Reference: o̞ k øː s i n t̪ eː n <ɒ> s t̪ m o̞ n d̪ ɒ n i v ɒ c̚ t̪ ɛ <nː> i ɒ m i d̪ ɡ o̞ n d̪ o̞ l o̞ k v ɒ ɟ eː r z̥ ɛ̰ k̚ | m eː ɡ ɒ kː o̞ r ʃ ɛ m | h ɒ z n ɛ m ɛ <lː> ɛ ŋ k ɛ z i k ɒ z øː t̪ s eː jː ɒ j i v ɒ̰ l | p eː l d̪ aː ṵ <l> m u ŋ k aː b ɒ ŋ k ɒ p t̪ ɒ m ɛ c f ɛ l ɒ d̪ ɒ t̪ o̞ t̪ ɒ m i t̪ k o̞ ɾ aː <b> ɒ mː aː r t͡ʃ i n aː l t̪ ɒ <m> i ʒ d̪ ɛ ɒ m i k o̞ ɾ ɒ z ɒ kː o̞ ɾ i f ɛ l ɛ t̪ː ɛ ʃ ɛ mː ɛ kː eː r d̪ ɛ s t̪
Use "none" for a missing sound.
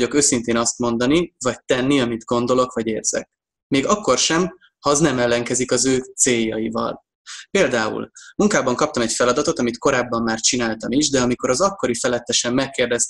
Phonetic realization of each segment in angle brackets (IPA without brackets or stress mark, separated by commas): ɒ, nː, lː, l, bː, m